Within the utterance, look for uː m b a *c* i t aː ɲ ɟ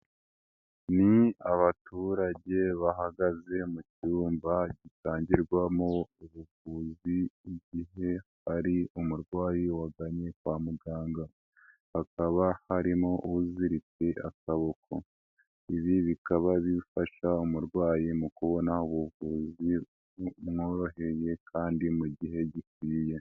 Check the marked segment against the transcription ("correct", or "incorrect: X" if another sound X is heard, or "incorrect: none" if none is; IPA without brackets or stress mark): incorrect: ɟ